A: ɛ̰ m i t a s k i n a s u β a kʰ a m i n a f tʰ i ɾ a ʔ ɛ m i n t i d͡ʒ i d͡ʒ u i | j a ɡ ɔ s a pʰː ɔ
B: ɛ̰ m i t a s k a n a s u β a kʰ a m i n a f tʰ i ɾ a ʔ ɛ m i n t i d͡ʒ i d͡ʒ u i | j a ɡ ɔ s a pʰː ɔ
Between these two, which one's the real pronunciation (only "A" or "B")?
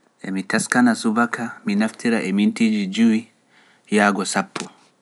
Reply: B